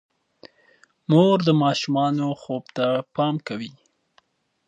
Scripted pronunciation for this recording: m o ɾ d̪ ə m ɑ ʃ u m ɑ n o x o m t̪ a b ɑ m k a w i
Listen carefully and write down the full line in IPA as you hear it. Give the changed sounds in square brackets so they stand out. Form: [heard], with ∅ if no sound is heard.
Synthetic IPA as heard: m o ɾ d̪ ə m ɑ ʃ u m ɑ n o x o [b] t̪ a [p] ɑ m k a w i

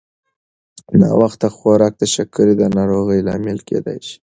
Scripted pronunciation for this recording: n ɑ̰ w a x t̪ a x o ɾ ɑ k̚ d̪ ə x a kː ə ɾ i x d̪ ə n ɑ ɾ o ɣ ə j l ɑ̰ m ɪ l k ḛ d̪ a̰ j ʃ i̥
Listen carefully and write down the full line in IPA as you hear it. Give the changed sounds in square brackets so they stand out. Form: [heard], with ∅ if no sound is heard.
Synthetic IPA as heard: n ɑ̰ w a x t̪ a x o ɾ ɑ k̚ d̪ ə [ʃ] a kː ə ɾ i [∅] d̪ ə n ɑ ɾ o ɣ ə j l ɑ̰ m ɪ l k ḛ d̪ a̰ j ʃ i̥

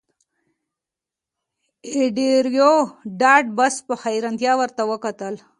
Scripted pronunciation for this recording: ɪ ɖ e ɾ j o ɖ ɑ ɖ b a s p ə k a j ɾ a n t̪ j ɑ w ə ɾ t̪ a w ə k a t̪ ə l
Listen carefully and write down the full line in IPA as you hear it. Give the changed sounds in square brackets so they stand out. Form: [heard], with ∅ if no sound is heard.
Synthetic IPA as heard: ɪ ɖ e ɾ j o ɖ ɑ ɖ b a s p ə [x] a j ɾ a n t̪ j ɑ w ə ɾ t̪ a w ə k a t̪ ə l

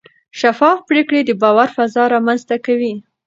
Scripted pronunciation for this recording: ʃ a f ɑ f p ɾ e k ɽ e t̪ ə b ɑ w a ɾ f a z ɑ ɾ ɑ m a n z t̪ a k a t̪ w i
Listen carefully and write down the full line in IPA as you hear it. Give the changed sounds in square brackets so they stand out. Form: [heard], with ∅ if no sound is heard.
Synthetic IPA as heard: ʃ a f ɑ f p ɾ e k ɽ e [d̪] ə b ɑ w a ɾ f a z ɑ ɾ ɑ m a n z t̪ a k a [∅] w i

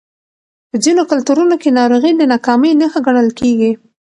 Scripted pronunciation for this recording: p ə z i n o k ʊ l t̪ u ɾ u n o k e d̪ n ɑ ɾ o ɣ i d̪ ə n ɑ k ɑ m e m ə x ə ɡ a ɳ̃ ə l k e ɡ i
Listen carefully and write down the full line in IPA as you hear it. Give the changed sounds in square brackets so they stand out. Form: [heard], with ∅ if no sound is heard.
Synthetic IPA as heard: p ə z i n o k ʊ l t̪ u ɾ u n o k e [∅] n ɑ ɾ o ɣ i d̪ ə n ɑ k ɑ m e [n] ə x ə ɡ a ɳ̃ ə l k e ɡ i

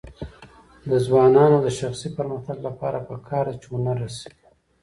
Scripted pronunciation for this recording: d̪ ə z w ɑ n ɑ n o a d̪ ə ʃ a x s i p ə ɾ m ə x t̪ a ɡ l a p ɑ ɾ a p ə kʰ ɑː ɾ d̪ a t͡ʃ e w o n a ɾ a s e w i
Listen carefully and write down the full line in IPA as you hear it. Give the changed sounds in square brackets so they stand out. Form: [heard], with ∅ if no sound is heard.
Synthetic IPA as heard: d̪ ə z w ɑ n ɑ n o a d̪ ə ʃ a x s i p ə ɾ m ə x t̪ a ɡ l a p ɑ ɾ a p ə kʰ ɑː ɾ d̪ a t͡ʃ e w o n a ɾ a s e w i

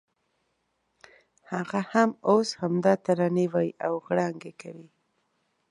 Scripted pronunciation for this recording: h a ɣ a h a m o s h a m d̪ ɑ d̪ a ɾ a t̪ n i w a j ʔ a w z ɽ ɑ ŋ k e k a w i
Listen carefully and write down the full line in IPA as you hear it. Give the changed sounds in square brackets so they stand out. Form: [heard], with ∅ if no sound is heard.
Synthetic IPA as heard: h a ɣ a h a m o s h a m d̪ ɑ [t̪] a ɾ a [∅] n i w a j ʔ a w [ɣ] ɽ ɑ ŋ [ɡ] e k a w i

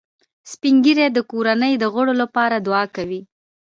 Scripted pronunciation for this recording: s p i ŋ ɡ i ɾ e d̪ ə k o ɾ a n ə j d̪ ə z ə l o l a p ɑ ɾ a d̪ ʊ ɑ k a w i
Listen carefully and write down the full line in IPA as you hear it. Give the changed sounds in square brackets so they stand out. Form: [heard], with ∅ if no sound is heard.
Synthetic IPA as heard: s p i ŋ ɡ i ɾ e d̪ ə k o ɾ a n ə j d̪ ə [ɣ] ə [ɽ] o l a p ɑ ɾ a d̪ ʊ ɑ k a w i

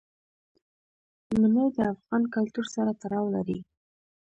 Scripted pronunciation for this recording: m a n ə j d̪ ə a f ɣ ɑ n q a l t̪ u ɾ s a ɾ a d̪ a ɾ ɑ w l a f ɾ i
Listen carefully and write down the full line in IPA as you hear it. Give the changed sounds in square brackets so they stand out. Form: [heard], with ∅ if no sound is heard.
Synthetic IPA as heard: m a n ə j d̪ ə a f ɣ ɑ n [k] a l t̪ u ɾ s a ɾ a [t̪] a ɾ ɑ w l a [∅] ɾ i

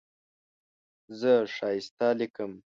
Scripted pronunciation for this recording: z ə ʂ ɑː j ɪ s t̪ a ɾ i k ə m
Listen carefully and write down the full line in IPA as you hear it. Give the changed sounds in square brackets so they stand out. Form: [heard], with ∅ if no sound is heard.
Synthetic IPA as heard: z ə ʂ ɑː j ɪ s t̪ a [l] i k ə m

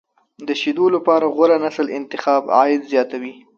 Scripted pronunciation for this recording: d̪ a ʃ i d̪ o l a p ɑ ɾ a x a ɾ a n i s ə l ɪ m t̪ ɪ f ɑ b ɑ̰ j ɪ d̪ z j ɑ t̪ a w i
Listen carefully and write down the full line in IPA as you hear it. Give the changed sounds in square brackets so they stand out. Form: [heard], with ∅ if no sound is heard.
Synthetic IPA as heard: d̪ [ə] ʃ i d̪ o l a p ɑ ɾ a [ɣ] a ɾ a n [a] s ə l ɪ [n] t̪ ɪ [x] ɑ b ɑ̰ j ɪ d̪ z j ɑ t̪ a w i

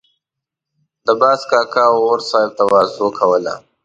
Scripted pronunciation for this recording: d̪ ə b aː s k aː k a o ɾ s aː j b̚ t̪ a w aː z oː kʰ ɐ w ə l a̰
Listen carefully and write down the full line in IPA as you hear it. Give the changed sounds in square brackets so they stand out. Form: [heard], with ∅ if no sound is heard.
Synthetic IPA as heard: d̪ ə b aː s k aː k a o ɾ s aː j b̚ t̪ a w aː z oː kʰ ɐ w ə l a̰

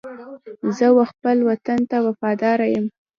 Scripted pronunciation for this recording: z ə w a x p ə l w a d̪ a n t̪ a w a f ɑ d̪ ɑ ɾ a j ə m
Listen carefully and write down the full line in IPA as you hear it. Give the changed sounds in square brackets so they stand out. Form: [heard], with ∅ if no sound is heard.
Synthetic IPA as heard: z ə w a x p ə l w a [t̪] a n t̪ a w a f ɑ d̪ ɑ ɾ a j ə m

